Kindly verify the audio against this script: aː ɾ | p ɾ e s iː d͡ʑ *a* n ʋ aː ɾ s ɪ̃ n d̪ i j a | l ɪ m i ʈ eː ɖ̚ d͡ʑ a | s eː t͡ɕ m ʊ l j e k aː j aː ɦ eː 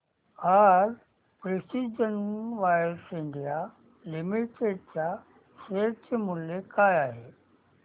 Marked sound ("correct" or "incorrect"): incorrect